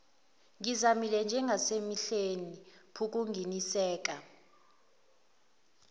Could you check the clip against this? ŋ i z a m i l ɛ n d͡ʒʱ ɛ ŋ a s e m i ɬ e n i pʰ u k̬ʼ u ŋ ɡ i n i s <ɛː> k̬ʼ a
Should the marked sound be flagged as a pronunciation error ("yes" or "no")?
no